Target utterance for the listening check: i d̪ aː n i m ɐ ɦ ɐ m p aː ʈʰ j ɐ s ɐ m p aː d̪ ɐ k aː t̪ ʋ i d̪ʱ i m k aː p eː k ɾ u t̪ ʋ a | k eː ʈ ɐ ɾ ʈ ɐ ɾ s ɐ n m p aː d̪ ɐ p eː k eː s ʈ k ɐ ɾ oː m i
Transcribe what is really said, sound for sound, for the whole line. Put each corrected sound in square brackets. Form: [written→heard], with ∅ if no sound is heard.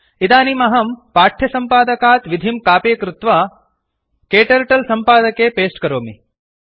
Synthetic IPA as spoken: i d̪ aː n i m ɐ ɦ ɐ m p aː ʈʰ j ɐ s ɐ m p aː d̪ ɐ k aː t̪ ʋ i d̪ʱ i m k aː p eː k ɾ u t̪ ʋ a | k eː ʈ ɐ ɾ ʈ ɐ [ɾ→l] s ɐ [n→∅] m p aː d̪ ɐ [p→k] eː [k→p] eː s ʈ k ɐ ɾ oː m i